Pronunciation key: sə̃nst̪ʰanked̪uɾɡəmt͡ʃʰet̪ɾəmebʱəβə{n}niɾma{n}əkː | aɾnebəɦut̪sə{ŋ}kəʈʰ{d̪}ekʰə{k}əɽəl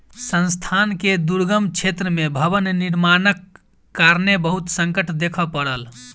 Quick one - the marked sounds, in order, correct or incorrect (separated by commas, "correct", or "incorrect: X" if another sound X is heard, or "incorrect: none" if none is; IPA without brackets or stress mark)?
correct, correct, correct, correct, incorrect: p